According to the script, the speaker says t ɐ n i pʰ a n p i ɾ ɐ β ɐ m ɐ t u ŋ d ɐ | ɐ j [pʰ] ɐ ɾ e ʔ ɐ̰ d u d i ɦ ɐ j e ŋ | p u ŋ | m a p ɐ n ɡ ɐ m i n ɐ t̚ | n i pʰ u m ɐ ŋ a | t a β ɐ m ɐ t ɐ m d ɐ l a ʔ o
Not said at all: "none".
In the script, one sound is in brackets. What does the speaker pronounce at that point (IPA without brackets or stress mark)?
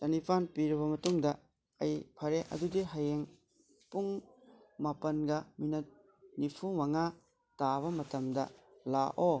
pʰ